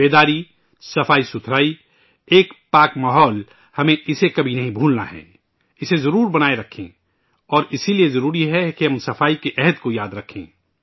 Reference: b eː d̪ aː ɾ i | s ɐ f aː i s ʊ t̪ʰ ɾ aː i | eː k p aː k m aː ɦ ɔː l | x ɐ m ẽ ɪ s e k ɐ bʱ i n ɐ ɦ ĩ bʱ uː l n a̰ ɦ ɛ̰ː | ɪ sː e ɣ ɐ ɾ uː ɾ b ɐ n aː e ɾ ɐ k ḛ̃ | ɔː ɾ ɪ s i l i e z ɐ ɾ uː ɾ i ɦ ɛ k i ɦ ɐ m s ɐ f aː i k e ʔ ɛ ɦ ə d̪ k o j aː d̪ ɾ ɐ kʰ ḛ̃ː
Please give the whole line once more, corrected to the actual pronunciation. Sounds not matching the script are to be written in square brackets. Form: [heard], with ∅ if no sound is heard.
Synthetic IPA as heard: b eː d̪ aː ɾ i | s ɐ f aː i s ʊ t̪ʰ ɾ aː i | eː k p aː k m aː ɦ ɔː l | [h] ɐ m ẽ ɪ s e k ɐ bʱ i n ɐ ɦ ĩ bʱ uː l n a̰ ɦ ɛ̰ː | ɪ [s] e [z] ɐ ɾ uː ɾ b ɐ n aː e ɾ ɐ [kʰ] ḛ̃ | ɔː ɾ ɪ s i l i e z ɐ ɾ uː ɾ i ɦ ɛ k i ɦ ɐ m s ɐ f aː i k e ʔ ɛ ɦ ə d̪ k o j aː d̪ ɾ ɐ kʰ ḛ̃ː